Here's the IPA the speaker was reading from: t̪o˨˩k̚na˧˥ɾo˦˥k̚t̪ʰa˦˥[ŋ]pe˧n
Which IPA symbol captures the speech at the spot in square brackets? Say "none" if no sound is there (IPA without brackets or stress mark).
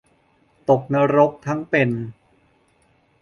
ŋ